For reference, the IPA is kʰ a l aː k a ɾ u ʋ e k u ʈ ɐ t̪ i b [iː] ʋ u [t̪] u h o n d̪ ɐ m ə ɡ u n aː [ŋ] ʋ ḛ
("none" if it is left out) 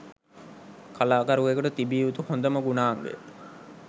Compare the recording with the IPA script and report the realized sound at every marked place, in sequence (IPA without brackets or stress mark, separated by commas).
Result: iː, t̪, ŋ